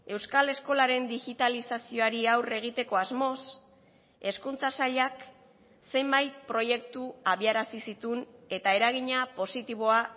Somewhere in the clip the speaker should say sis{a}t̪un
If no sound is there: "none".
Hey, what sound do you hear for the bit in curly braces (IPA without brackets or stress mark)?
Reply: i